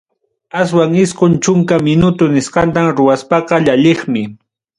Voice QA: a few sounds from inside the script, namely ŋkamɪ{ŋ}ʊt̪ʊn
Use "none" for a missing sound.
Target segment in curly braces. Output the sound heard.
n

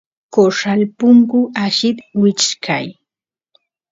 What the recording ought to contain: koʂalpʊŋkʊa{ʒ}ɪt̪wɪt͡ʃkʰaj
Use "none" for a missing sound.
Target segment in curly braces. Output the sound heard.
ʃ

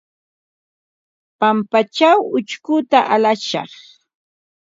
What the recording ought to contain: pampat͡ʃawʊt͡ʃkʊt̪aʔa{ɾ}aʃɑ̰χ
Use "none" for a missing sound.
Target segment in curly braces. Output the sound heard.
l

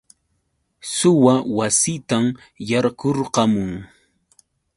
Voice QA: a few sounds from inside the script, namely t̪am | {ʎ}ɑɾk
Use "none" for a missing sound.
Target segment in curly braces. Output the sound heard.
j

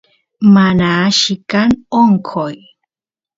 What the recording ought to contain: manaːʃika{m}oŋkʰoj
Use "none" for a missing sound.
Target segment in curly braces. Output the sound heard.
n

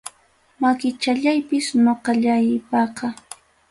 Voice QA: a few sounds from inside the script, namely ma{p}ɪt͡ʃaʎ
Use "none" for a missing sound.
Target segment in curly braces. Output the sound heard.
k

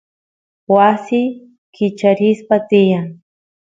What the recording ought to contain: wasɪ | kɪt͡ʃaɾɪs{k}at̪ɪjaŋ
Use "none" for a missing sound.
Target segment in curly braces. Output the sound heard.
p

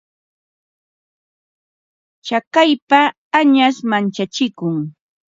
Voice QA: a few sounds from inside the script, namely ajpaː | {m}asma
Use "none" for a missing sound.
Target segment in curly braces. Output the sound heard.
ɲ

